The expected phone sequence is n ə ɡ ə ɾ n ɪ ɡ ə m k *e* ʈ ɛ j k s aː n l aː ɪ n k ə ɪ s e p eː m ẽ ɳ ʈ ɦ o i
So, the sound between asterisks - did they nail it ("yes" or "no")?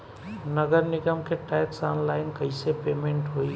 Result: yes